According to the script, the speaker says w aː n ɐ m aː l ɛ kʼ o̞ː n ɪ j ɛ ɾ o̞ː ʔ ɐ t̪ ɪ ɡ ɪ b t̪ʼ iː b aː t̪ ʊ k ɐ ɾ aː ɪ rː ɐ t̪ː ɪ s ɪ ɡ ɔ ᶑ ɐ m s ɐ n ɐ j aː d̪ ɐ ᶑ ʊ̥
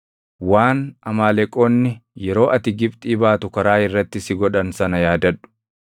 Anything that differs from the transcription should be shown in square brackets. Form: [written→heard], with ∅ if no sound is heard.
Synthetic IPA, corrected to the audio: w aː n ɐ m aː l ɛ kʼ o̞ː [n→nː] ɪ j ɛ ɾ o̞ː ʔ ɐ t̪ ɪ ɡ ɪ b t̪ʼ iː b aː t̪ ʊ k ɐ ɾ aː ɪ rː ɐ t̪ː ɪ s ɪ ɡ ɔ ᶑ ɐ [m→n] s ɐ n ɐ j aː d̪ ɐ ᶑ ʊ̥

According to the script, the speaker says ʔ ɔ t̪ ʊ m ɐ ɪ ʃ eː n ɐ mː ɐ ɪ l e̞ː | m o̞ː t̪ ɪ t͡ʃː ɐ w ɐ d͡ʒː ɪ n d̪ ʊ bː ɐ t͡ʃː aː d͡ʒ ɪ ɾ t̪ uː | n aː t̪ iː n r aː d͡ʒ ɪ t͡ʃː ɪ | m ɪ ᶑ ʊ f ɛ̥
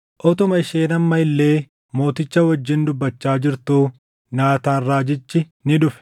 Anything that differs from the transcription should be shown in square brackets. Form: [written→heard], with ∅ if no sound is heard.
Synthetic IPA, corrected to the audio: ʔ ɔ t̪ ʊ m ɐ ɪ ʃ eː n ɐ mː ɐ ɪ [l→lː] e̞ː | m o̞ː t̪ ɪ t͡ʃː ɐ w ɐ d͡ʒː ɪ n d̪ ʊ bː ɐ t͡ʃː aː d͡ʒ ɪ ɾ t̪ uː | n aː t̪ [iː→aː] n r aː d͡ʒ ɪ t͡ʃː ɪ | [m→n] ɪ ᶑ ʊ f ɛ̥

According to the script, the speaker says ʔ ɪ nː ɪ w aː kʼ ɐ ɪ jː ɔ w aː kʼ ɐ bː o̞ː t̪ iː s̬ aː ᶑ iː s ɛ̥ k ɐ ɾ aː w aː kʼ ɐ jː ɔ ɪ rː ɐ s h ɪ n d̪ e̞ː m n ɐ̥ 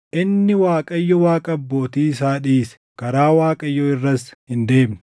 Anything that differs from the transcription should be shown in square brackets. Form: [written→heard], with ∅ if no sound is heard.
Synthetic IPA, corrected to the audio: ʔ ɪ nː ɪ w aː kʼ ɐ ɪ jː ɔ w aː kʼ ɐ bː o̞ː t̪ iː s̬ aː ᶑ iː s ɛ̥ k ɐ ɾ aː w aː kʼ ɐ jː ɔ ɪ rː ɐ s h ɪ n d̪ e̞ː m n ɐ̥

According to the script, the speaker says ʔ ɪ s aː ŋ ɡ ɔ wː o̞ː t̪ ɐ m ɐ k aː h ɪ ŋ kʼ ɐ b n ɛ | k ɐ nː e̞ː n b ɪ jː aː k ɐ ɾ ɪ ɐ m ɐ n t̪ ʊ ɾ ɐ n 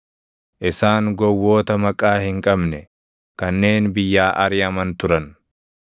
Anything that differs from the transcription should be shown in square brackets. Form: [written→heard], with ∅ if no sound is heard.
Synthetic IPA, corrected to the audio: ʔ ɪ s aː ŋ ɡ ɔ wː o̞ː t̪ ɐ m ɐ [k→kʼ] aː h ɪ ŋ kʼ ɐ b n ɛ | k ɐ nː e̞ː n b ɪ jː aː [k→ʔ] ɐ ɾ ɪ ɐ m ɐ n t̪ ʊ ɾ ɐ n

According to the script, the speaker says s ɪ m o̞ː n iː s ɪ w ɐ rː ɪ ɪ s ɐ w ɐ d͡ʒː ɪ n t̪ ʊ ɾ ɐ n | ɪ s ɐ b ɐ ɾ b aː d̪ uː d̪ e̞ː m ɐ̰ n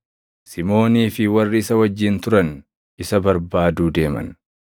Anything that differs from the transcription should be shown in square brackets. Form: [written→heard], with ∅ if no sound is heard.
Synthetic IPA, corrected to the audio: s ɪ m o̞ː n iː [s→f] ɪ w ɐ rː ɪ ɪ s ɐ w ɐ d͡ʒː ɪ n t̪ ʊ ɾ ɐ n | ɪ s ɐ b ɐ ɾ b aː d̪ uː d̪ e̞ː m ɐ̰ n

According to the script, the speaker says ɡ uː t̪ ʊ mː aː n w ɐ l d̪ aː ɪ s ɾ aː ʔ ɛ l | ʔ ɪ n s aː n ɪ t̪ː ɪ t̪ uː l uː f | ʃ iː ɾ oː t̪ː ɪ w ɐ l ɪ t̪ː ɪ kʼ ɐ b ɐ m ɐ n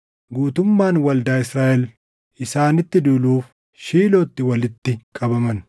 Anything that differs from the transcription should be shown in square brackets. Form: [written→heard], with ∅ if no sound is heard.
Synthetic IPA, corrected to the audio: ɡ uː t̪ ʊ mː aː n w ɐ l d̪ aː ɪ s ɾ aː ʔ ɛ l | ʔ ɪ [n→∅] s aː n ɪ t̪ː ɪ [t̪→d̪] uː l uː f | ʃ iː [ɾ→l] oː t̪ː ɪ w ɐ l ɪ t̪ː ɪ kʼ ɐ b ɐ m ɐ n

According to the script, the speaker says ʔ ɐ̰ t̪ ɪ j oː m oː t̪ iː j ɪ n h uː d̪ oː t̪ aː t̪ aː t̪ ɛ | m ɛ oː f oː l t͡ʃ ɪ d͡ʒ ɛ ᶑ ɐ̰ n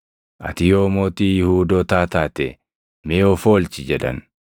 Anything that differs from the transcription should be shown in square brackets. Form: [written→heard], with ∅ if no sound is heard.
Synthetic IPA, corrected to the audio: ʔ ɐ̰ t̪ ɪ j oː m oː t̪ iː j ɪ [n→∅] h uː d̪ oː t̪ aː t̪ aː t̪ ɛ | m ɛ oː f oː l t͡ʃ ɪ d͡ʒ ɛ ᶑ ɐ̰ n

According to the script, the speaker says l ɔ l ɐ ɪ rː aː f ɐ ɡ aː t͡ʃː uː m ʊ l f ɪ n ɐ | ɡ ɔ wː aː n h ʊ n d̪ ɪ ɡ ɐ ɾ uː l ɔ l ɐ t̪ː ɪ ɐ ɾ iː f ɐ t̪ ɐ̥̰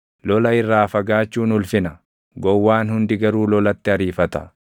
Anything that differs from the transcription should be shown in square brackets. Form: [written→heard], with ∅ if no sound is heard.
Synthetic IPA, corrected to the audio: l ɔ l ɐ ɪ rː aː f ɐ ɡ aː t͡ʃː uː [m→n] ʊ l f ɪ n ɐ | ɡ ɔ wː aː n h ʊ n d̪ ɪ ɡ ɐ ɾ uː l ɔ l ɐ t̪ː ɪ ɐ ɾ iː f ɐ t̪ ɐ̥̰

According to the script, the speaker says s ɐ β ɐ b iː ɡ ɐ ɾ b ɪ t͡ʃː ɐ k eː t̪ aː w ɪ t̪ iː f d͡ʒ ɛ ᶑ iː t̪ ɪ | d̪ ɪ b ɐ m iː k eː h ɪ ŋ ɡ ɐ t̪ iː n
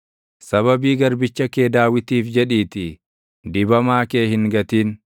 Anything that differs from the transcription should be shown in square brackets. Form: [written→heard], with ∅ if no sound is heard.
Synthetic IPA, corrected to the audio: s ɐ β ɐ b iː ɡ ɐ ɾ b ɪ t͡ʃː ɐ k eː [t̪→d̪] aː w ɪ t̪ iː f d͡ʒ ɛ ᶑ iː t̪ ɪ | d̪ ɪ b ɐ m [iː→aː] k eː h ɪ ŋ ɡ ɐ t̪ iː n

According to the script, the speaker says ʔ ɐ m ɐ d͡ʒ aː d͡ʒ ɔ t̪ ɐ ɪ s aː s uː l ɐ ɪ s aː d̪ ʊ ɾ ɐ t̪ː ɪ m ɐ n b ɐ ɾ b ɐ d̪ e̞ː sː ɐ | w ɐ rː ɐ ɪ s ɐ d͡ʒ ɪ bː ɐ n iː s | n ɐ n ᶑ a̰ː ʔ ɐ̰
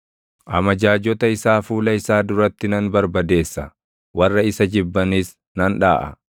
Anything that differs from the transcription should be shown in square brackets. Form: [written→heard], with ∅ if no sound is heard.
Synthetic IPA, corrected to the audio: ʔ ɐ m ɐ d͡ʒ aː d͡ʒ ɔ t̪ ɐ ɪ s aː [s→f] uː l ɐ ɪ s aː d̪ ʊ ɾ ɐ t̪ː ɪ [m→n] ɐ n b ɐ ɾ b ɐ d̪ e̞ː sː ɐ | w ɐ rː ɐ ɪ s ɐ d͡ʒ ɪ bː ɐ n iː s | n ɐ n ᶑ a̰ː ʔ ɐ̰

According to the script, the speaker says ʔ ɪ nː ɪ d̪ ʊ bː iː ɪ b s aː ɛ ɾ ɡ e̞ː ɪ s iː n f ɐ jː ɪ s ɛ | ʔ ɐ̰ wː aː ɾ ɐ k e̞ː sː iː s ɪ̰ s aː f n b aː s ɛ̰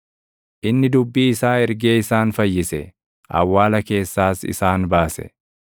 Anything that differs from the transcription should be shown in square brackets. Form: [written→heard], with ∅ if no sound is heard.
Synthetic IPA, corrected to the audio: ʔ ɪ nː ɪ d̪ ʊ bː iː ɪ [b→∅] s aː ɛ ɾ ɡ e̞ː ɪ s [iː→aː] n f ɐ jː ɪ s ɛ | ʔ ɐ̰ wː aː [ɾ→l] ɐ k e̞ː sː [iː→aː] s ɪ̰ s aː [f→∅] n b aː s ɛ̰

